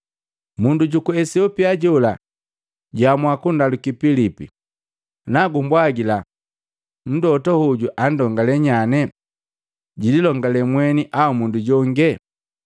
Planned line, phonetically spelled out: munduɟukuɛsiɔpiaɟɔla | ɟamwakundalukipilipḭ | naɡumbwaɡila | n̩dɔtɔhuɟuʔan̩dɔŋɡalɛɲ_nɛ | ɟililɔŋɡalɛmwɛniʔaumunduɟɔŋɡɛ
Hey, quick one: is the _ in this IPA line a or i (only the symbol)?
a